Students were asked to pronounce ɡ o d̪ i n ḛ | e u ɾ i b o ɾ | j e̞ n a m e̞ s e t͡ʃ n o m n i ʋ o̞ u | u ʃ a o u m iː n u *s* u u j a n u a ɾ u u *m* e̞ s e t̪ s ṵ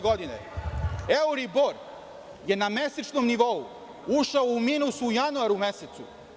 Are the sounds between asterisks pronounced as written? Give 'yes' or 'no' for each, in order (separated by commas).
yes, yes